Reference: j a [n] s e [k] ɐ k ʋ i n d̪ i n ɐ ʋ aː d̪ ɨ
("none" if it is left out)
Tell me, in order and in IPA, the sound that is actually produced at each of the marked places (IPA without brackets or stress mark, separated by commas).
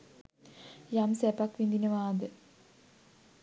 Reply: m, p